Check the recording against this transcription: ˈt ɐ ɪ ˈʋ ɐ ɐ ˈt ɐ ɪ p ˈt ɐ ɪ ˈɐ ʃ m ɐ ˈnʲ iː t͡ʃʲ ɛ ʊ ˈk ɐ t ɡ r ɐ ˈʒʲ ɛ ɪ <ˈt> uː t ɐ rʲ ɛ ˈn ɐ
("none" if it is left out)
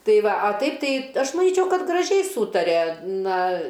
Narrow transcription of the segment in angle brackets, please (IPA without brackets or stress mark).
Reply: s